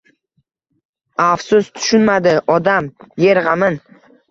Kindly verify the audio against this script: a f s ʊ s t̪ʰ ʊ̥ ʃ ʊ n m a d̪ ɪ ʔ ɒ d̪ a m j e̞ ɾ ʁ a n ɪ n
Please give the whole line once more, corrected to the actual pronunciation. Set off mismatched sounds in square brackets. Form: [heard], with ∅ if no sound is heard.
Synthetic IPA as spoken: a f s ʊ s t̪ʰ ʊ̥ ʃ ʊ n m a d̪ ɪ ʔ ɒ d̪ a m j e̞ ɾ ʁ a [m] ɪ n